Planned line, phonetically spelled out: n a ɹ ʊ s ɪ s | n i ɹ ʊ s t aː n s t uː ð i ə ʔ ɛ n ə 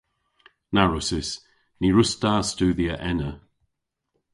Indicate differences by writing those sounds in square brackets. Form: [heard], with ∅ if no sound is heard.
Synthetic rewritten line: n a ɹ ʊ s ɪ s | n i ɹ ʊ s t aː [∅] s t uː ð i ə ʔ ɛ n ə